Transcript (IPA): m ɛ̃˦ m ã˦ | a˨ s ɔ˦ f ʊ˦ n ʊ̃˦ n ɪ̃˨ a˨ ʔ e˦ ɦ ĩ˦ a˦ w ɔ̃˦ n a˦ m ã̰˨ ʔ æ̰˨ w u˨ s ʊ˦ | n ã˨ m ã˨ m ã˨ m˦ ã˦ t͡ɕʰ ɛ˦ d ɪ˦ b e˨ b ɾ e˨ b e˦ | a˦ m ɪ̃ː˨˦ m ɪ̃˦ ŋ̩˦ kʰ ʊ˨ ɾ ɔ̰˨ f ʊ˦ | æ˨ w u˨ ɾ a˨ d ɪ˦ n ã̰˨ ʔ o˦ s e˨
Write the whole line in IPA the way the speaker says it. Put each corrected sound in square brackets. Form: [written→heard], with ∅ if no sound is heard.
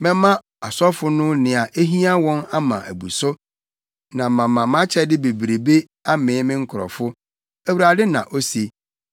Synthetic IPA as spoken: m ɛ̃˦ m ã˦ | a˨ s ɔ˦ f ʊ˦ n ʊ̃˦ n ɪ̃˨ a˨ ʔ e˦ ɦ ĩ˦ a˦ w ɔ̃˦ n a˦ m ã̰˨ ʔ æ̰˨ [w→b] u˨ s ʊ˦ | n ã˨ m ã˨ m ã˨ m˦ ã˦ t͡ɕʰ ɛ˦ d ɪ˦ b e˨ b ɾ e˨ b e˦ | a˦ m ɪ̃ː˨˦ m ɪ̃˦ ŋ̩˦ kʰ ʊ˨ ɾ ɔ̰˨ f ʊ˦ | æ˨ w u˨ ɾ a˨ d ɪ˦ n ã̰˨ ʔ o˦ s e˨

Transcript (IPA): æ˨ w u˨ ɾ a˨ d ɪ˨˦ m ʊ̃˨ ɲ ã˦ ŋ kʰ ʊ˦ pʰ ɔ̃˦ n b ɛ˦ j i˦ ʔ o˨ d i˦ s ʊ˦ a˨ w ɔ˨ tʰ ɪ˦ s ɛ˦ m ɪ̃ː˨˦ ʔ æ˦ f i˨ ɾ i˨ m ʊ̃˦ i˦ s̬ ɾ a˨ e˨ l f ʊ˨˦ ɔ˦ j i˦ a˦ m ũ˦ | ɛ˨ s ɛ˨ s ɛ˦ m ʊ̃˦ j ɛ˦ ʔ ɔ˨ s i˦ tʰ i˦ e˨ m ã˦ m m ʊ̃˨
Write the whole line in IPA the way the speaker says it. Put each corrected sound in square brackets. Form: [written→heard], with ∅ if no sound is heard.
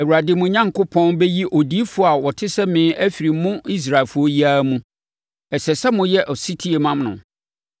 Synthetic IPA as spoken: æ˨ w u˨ ɾ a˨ d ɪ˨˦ m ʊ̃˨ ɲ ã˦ ŋ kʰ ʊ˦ pʰ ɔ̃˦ n b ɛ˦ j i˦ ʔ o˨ d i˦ [s→f] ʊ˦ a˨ w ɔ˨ tʰ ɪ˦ s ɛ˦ m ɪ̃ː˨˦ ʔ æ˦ f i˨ ɾ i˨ m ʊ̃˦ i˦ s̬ ɾ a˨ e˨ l f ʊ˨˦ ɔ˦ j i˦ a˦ m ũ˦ | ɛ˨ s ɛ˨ s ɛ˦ m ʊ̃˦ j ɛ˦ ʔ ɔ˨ s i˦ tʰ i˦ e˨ m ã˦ m [m→n] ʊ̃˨

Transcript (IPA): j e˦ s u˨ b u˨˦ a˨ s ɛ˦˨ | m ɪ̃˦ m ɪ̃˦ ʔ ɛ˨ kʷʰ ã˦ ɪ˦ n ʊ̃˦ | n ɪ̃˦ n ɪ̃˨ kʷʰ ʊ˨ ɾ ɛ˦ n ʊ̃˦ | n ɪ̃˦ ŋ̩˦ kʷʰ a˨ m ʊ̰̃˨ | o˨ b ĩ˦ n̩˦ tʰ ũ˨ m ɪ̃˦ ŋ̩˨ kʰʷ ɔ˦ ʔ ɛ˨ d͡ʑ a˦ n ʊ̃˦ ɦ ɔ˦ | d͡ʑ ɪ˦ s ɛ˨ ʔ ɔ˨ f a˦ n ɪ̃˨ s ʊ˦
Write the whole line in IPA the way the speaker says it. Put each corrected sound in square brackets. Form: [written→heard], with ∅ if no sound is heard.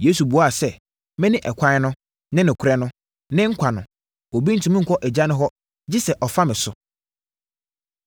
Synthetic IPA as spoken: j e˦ s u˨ b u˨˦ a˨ s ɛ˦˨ | m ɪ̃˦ [m→n] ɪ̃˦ ʔ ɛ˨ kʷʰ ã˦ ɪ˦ n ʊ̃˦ | n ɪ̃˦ n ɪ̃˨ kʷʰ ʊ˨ ɾ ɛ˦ n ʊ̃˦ | n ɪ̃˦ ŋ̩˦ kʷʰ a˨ [m→n] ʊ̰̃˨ | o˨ b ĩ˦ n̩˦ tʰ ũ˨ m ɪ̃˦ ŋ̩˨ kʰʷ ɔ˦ ʔ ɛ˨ d͡ʑ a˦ n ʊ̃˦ ɦ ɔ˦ | d͡ʑ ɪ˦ s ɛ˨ ʔ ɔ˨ f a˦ [n→m] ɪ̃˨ s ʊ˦

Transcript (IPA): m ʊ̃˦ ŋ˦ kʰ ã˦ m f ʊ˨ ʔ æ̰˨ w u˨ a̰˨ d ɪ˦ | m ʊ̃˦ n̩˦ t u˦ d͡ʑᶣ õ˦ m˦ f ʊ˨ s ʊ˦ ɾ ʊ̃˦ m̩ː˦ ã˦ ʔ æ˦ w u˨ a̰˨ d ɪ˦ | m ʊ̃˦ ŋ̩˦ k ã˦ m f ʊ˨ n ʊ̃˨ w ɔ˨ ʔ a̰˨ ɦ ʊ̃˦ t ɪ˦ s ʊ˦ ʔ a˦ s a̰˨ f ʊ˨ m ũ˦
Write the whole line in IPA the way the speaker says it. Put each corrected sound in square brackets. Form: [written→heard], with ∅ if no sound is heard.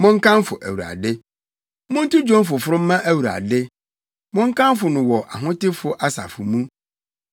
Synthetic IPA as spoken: m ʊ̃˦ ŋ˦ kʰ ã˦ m f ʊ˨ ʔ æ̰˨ w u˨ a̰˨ d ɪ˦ | m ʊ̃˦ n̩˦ t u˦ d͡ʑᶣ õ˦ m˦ f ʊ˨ [s→f] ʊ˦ ɾ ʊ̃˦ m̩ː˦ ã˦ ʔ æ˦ w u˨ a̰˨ d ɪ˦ | m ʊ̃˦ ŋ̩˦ k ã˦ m f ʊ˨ n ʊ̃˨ w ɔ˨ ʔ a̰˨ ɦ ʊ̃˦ t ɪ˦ [s→f] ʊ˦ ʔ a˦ s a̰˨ f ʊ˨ m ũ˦

